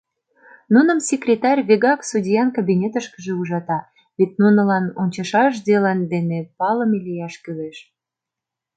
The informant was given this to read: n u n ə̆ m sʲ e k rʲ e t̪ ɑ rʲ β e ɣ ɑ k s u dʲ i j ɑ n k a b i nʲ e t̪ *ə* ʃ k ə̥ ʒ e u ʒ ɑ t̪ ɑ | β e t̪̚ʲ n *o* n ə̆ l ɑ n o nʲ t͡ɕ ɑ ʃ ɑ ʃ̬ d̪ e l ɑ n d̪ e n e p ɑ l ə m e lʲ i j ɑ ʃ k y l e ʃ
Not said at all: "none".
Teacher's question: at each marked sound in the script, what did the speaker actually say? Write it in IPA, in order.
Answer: ə, u

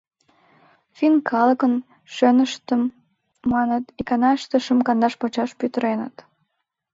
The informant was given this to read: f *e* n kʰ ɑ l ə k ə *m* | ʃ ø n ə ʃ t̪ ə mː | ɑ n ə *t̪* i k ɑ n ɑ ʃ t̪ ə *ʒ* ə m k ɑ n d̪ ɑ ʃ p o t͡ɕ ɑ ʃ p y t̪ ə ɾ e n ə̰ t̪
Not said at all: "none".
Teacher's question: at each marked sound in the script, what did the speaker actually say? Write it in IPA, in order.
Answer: i, n, t̪, ʃ

